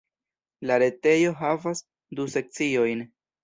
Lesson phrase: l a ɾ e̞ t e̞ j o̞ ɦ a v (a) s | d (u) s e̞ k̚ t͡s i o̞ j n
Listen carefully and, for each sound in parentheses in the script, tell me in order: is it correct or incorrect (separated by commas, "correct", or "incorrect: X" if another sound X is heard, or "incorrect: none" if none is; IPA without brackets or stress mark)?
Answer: correct, correct